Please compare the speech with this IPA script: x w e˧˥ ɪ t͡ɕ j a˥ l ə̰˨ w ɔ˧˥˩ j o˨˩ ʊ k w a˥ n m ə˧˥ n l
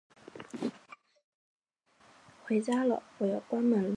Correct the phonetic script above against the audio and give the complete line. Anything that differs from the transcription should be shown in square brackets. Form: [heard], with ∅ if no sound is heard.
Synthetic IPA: x w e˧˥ ɪ t͡ɕ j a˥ l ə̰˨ w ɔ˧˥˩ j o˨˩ ʊ k w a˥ n m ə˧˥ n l